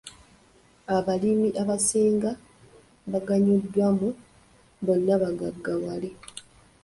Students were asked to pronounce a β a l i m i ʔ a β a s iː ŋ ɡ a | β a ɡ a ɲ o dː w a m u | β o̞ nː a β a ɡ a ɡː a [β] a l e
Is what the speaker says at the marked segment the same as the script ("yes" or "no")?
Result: no